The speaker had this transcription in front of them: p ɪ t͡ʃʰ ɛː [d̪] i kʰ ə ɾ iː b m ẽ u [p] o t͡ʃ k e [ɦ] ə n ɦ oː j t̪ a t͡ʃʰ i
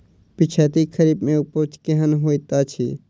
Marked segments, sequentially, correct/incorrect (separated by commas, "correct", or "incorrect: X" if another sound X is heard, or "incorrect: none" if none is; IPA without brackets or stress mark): incorrect: t̪, correct, correct